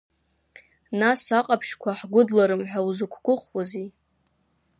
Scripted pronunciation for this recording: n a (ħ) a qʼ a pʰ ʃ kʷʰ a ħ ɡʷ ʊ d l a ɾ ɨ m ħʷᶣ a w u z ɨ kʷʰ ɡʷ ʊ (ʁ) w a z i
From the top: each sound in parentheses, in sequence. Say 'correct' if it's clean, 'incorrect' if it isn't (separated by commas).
incorrect, incorrect